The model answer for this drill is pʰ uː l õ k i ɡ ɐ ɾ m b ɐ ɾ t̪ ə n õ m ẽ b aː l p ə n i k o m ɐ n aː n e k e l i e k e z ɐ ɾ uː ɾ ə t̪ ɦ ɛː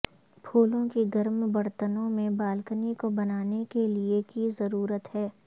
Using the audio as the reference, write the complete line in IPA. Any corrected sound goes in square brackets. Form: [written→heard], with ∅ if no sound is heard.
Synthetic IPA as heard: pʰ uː l õ k i ɡ ɐ ɾ m b ɐ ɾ t̪ ə n õ m ẽ b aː l [p→k] ə n i k o [m→b] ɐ n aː n e k e l i e k [e→i] z ɐ ɾ uː ɾ ə t̪ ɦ ɛː